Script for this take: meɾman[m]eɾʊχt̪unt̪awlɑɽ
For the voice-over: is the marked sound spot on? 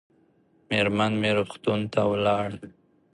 yes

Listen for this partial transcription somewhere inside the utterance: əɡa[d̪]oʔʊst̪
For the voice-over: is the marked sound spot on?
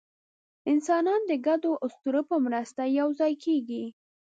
yes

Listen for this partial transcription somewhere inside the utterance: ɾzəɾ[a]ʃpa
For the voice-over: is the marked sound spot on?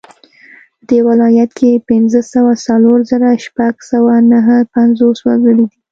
yes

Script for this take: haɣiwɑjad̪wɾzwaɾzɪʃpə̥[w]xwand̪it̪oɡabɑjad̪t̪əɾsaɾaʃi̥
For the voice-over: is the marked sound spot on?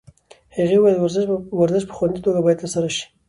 no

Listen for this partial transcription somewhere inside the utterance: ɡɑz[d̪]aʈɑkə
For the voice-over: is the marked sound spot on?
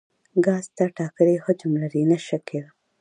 no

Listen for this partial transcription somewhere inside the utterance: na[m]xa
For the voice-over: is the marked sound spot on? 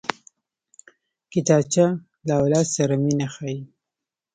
no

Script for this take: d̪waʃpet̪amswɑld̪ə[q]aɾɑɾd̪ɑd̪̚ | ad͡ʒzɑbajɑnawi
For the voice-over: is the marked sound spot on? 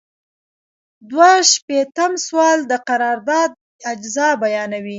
yes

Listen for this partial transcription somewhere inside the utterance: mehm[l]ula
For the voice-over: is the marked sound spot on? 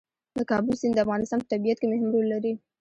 no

